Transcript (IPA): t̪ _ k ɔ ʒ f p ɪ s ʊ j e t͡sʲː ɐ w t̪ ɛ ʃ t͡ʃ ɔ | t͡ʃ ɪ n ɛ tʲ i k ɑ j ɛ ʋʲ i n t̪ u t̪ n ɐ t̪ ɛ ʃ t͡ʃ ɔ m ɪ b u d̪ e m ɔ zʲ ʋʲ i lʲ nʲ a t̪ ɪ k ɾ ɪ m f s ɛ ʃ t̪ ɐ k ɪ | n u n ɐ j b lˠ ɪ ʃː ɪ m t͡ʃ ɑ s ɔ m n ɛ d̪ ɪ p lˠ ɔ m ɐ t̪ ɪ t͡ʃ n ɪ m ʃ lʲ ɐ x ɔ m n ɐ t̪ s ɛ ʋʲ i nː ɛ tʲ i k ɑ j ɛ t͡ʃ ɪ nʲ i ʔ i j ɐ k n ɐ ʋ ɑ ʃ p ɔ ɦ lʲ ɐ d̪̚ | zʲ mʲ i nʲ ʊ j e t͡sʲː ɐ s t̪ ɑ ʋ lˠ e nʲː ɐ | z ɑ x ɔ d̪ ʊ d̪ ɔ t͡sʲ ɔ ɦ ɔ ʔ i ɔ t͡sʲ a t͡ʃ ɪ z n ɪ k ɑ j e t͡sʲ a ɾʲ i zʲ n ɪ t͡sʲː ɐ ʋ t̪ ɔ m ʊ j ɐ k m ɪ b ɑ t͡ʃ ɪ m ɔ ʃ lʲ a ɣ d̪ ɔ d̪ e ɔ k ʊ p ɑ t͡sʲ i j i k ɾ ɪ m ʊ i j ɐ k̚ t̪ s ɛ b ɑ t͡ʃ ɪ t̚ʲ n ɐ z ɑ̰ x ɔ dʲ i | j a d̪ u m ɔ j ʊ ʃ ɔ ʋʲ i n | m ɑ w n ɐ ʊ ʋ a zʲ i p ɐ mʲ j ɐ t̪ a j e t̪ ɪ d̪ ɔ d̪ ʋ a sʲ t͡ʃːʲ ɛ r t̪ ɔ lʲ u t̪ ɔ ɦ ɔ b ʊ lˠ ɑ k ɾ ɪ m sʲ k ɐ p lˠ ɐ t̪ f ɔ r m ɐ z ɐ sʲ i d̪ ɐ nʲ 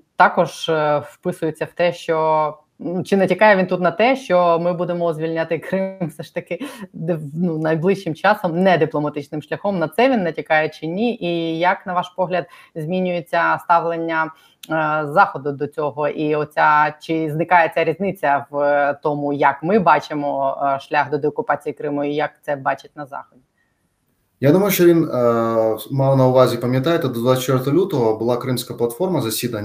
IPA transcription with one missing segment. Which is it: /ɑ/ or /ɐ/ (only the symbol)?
ɑ